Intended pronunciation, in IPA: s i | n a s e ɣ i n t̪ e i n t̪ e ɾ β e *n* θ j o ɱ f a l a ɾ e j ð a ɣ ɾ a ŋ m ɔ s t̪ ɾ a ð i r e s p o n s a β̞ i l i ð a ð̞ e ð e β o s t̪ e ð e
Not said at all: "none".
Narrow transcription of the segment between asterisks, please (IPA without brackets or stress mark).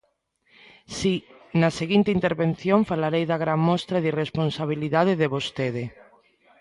n